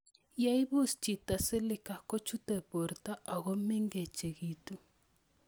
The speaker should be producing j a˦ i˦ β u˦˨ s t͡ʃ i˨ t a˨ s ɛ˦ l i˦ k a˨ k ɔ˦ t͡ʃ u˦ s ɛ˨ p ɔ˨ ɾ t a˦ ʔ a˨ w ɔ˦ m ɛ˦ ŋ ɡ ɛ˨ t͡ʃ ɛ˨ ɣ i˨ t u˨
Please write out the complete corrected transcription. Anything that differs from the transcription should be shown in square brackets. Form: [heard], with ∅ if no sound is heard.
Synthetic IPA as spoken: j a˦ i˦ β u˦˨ s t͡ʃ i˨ t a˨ s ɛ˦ l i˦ k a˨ k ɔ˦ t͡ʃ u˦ [t] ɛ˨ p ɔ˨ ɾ t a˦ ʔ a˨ [ɣ] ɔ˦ m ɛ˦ ŋ ɡ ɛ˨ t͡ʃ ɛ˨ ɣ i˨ t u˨